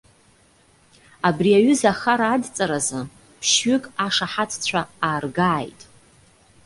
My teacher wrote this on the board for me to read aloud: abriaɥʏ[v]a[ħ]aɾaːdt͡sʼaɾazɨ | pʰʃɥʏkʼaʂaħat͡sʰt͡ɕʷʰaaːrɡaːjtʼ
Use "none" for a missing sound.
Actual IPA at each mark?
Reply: z, χ

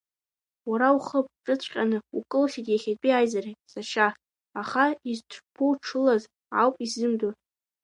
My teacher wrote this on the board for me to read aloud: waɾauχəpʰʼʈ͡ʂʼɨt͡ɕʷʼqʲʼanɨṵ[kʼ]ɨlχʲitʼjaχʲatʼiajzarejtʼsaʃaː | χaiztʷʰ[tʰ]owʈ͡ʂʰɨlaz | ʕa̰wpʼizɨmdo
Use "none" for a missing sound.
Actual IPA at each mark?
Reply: kʼ, pʰ

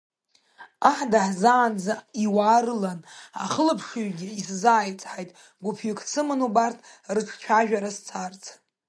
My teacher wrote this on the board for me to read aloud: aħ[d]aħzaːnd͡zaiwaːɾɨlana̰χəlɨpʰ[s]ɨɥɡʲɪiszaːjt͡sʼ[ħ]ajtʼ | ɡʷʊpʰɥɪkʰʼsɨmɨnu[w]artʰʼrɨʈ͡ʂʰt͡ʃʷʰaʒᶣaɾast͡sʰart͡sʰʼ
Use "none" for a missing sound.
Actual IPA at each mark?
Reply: d, ʂ, ħ, b

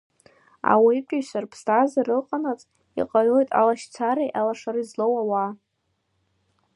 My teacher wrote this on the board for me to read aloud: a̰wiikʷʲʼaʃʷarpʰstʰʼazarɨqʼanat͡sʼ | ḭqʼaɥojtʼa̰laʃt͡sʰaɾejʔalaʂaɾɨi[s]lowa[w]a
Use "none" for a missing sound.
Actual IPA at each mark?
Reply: z, w

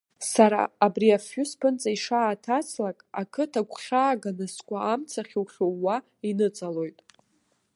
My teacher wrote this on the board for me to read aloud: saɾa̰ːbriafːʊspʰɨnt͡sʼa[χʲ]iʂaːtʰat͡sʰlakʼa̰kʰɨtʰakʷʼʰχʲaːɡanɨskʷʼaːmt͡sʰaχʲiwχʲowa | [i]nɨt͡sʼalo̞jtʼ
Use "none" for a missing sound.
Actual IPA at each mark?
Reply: none, i

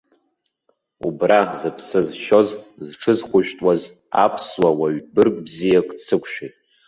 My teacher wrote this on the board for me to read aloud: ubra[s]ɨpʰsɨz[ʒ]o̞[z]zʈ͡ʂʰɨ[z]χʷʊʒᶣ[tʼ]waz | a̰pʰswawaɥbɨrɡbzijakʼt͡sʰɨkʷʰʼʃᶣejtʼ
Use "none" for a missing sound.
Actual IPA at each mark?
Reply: z, ʃ, z, z, tʼ

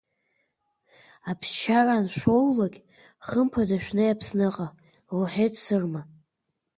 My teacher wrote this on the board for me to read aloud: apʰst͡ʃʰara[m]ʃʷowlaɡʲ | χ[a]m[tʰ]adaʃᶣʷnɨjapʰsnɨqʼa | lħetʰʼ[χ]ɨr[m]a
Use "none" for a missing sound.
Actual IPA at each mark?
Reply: n, ə, pʰ, s, m

